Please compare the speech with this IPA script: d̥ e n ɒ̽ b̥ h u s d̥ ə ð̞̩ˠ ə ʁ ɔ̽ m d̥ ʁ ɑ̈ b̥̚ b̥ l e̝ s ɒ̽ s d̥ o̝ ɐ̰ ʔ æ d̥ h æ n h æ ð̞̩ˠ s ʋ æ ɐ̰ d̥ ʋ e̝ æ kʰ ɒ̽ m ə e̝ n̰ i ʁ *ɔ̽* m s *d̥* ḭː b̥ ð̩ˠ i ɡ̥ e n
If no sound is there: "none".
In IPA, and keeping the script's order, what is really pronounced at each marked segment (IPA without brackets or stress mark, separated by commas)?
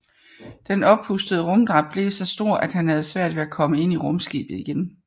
ɔ̽, ɡ̥